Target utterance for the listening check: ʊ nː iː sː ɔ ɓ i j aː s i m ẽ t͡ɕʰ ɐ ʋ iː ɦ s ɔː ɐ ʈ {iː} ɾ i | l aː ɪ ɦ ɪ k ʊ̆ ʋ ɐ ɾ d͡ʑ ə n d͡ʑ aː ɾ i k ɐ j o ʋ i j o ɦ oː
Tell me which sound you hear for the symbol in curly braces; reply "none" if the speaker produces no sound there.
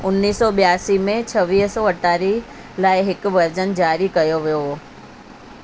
aː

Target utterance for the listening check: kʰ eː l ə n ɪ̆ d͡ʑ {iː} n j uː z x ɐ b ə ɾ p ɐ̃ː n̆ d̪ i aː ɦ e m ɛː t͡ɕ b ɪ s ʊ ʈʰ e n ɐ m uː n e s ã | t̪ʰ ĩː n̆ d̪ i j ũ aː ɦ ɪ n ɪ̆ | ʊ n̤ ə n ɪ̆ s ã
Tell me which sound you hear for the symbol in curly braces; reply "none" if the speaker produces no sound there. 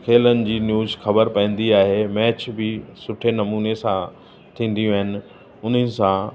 iː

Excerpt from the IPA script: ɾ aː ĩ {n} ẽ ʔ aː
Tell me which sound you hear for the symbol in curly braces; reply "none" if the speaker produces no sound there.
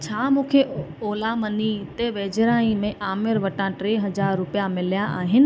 m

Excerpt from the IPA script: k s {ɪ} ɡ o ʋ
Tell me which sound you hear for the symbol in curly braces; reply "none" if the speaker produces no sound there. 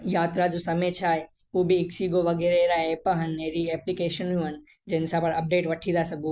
i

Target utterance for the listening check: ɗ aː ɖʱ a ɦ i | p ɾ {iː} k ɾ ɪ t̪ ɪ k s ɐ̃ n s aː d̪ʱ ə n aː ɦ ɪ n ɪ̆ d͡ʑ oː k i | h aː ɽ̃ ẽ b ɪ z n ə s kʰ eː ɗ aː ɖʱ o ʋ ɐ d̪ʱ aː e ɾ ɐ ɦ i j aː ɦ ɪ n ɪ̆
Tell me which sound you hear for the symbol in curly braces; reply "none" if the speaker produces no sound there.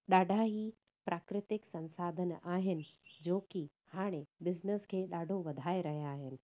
aː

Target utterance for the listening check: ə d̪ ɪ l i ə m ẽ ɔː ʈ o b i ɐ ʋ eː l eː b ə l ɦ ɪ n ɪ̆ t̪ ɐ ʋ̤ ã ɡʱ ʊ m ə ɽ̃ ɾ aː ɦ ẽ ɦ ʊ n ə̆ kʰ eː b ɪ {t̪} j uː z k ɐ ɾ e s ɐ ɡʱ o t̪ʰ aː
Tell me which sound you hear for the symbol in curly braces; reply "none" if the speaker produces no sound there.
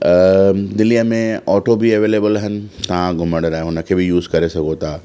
none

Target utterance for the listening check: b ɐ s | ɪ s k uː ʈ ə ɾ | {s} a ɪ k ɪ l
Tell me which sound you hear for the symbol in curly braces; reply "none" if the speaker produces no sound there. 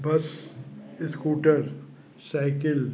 s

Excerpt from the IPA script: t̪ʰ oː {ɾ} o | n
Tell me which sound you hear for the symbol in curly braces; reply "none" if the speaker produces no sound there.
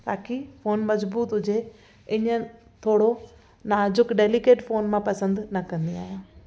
ɽ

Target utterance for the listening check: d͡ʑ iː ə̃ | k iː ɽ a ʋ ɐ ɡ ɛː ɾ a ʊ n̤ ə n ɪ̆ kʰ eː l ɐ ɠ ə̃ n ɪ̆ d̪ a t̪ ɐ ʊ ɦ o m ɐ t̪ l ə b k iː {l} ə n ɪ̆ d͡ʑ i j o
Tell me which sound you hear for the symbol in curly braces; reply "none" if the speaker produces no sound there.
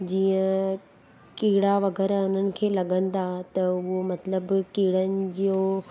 ɽ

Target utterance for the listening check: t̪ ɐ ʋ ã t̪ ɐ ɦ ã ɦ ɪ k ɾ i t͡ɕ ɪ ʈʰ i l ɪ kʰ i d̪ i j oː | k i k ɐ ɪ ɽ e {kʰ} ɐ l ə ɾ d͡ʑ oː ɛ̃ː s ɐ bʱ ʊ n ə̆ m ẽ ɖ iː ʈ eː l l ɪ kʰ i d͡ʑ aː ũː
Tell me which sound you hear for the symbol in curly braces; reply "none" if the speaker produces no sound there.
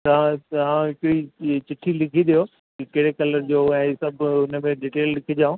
k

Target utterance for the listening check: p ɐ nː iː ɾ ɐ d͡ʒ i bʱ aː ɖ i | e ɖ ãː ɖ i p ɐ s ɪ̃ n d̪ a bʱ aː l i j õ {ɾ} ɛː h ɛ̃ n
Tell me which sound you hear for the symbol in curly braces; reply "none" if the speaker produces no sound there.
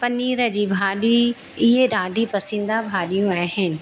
none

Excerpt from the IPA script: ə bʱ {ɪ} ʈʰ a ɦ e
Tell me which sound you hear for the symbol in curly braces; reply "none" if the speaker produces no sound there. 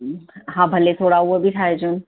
i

